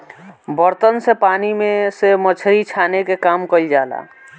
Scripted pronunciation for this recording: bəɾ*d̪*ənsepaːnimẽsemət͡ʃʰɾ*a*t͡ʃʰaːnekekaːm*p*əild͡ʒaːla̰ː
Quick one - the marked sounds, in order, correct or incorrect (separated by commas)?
incorrect, incorrect, incorrect